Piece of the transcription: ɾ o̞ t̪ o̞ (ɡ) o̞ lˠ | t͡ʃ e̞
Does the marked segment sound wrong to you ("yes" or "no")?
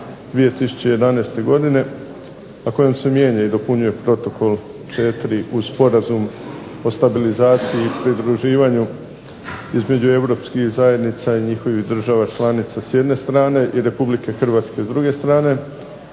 yes